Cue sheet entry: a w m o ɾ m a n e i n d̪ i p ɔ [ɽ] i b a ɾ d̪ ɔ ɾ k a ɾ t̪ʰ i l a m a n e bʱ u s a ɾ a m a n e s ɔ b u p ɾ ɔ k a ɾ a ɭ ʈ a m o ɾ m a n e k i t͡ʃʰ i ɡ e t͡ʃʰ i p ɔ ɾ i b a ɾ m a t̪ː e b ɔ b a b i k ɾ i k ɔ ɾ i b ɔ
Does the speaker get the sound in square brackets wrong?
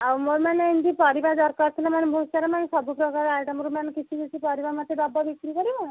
yes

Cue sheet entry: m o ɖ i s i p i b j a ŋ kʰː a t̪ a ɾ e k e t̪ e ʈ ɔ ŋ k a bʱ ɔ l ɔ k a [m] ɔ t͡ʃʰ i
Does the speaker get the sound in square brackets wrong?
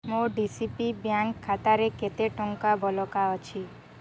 yes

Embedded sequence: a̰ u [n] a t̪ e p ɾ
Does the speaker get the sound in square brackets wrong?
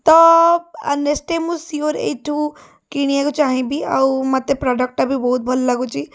yes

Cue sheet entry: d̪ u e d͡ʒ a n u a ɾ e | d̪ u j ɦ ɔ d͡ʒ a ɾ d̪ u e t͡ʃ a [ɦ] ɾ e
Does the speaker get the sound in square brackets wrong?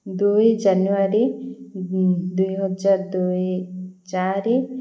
yes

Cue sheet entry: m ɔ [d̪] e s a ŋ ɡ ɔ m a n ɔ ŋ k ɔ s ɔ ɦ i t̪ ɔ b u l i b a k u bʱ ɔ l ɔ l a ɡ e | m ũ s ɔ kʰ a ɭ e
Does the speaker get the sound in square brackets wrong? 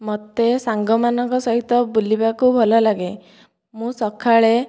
yes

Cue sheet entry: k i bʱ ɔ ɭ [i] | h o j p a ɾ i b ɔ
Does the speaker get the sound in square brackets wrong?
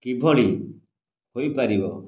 no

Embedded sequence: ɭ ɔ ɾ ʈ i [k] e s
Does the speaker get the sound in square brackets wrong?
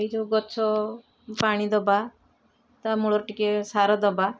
no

